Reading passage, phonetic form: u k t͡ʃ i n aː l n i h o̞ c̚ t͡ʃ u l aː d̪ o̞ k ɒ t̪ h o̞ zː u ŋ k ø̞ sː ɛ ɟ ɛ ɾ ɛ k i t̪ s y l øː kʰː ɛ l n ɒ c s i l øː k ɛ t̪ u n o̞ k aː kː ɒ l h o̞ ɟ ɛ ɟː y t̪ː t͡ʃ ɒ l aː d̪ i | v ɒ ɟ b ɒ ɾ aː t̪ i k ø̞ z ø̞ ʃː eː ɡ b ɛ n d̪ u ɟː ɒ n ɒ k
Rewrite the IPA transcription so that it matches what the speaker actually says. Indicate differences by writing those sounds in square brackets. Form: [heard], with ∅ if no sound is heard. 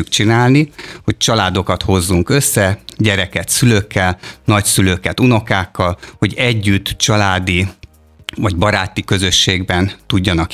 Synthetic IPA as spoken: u k t͡ʃ i n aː l n i h o̞ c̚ t͡ʃ [ɒ] l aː d̪ o̞ k ɒ t̪ h o̞ zː u ŋ k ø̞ sː ɛ ɟ ɛ ɾ ɛ k [ɛ] t̪ s y l øː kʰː ɛ l n ɒ c s [y] l øː k ɛ t̪ u n o̞ k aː kː ɒ l h o̞ ɟ ɛ ɟː y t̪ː t͡ʃ ɒ l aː d̪ i | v ɒ ɟ b ɒ ɾ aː t̪ i k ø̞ z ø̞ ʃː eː ɡ b ɛ n [t̪] u ɟː ɒ n ɒ k